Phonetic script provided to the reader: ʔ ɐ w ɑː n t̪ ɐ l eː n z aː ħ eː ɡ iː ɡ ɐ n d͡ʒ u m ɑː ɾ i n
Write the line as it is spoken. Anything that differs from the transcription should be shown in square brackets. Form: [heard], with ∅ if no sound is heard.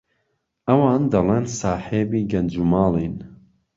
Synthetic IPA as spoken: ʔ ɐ w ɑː n [d̪] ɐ l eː n [s] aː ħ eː [b] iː ɡ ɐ n d͡ʒ u m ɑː [l] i n